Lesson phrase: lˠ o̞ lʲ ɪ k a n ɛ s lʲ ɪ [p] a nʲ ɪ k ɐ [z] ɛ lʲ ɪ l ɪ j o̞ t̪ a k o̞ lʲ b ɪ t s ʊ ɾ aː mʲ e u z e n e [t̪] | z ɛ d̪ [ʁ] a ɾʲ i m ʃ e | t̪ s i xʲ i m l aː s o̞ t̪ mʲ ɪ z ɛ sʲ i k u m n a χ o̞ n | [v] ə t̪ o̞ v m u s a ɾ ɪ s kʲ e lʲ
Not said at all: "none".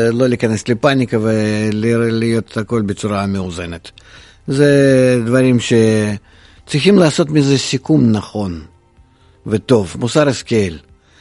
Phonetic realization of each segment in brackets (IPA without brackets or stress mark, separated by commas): p, v, t̪, v, v